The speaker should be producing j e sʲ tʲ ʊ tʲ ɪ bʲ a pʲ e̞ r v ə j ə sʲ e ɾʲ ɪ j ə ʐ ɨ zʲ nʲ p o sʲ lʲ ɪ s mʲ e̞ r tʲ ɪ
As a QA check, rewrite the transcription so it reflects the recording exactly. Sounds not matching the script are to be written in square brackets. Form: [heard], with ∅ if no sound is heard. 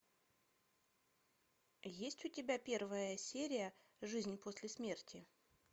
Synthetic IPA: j e sʲ tʲ ʊ tʲ ɪ bʲ a pʲ e̞ r v ə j ə sʲ e ɾʲ ɪ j ə ʐ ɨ zʲ nʲ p o sʲ lʲ ɪ s mʲ e̞ r tʲ ɪ